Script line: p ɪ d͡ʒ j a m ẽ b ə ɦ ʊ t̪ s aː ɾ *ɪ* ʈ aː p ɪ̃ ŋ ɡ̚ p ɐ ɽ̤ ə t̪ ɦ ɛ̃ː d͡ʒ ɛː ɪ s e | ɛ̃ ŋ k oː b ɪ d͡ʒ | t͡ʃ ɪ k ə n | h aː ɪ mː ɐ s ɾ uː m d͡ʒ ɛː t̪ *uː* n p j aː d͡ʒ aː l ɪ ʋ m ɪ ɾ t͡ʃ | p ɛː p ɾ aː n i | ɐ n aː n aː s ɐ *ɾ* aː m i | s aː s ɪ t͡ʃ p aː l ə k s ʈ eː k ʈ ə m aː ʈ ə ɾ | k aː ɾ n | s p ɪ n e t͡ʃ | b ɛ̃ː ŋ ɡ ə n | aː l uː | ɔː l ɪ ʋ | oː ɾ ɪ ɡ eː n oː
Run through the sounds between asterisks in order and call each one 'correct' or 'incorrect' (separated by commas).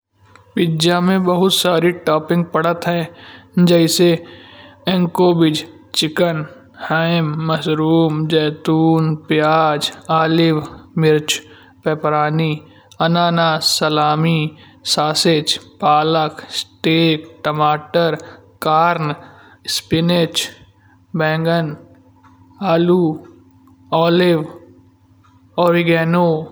incorrect, correct, incorrect